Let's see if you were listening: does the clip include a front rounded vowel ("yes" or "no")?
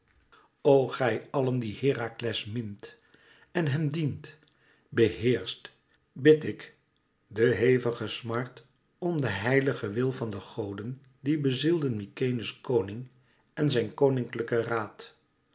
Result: no